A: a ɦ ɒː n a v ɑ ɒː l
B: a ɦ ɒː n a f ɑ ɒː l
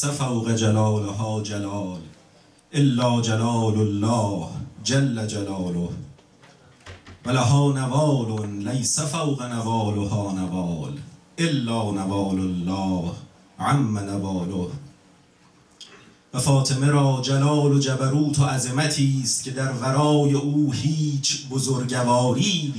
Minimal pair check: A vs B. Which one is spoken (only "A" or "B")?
A